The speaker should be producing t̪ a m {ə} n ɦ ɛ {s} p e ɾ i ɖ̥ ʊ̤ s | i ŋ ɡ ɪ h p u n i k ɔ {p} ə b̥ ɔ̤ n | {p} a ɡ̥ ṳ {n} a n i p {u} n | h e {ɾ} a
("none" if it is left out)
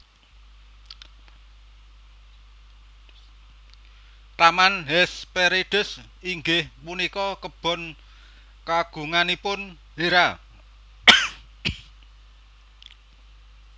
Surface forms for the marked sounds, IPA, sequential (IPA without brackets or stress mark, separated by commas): a, s, k, k, ŋ, ʊ, ɾ